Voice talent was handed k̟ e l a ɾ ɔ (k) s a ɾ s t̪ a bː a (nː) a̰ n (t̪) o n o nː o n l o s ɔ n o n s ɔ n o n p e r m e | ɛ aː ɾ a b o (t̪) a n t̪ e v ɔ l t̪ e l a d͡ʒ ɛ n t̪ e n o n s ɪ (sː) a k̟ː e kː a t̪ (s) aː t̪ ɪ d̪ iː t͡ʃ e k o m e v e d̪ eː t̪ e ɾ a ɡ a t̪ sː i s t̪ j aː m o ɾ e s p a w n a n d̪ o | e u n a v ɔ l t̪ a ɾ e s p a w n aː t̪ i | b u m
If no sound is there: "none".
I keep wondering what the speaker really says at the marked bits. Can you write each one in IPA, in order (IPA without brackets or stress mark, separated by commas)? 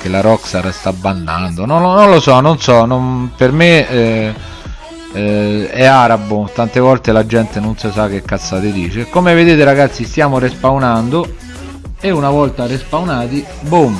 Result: k, nː, d̪, t̪, s, sː